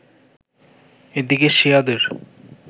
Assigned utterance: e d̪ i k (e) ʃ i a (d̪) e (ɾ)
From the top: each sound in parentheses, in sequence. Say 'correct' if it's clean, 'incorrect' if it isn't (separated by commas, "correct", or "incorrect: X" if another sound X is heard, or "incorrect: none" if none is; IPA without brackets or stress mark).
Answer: correct, correct, correct